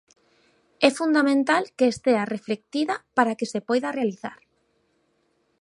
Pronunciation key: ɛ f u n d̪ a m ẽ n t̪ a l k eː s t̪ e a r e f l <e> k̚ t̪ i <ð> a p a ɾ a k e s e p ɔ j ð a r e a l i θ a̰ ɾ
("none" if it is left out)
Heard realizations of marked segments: e, ð

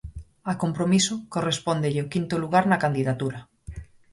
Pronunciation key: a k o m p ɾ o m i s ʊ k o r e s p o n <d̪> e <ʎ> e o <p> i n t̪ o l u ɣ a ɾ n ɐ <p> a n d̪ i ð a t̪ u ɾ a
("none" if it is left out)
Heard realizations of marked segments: d̪, ʎ, k, k

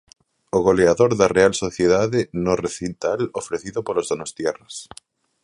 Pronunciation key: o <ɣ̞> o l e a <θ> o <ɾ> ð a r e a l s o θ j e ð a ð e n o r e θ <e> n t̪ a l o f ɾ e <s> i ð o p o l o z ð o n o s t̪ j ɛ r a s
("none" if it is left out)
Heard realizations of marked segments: ɣ̞, ð, ɾ, i, θ

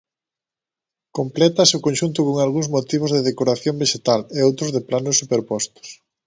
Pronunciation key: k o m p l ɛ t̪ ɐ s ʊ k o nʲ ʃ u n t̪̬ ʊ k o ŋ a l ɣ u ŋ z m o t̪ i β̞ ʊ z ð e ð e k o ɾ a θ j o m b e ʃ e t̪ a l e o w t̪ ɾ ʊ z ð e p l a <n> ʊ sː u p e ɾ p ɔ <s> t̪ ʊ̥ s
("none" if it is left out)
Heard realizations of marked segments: n, s

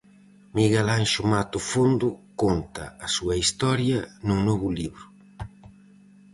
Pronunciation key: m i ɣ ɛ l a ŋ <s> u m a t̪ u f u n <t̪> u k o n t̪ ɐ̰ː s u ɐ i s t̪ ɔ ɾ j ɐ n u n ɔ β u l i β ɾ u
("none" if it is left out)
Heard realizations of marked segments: ʃ, d̪

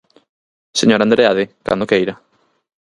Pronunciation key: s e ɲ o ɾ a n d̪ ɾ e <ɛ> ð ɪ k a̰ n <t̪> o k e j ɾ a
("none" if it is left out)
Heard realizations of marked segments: a, d̪

